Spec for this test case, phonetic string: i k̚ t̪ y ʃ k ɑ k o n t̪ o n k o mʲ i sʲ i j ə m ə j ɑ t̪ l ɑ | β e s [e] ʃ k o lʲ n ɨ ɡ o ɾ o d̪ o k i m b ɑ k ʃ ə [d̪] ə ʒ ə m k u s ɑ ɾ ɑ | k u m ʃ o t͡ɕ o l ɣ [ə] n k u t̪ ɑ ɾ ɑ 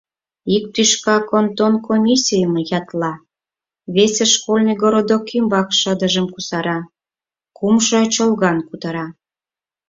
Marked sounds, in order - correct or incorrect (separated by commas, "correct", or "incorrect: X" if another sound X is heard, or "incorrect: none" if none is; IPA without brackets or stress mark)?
correct, correct, incorrect: ɑ